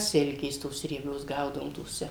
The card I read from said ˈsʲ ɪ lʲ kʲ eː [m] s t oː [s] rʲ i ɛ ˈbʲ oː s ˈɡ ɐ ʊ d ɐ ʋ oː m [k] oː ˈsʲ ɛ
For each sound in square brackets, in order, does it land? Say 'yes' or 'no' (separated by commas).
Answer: no, yes, no